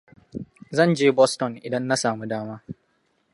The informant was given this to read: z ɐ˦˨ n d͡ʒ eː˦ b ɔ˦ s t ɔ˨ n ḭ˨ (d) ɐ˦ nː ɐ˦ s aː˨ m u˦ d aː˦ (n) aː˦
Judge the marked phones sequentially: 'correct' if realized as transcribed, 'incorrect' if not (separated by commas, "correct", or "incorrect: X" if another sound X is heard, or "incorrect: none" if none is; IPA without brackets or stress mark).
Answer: correct, incorrect: m